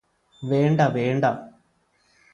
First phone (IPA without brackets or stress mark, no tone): ʋ